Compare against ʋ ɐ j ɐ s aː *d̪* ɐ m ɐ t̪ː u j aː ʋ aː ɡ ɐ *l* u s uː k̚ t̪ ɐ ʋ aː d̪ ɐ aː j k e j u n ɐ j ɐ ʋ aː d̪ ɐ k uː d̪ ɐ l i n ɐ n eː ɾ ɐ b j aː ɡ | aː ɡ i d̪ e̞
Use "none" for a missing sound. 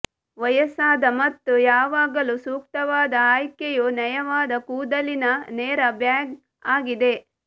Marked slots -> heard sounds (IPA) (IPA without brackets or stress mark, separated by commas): d̪, l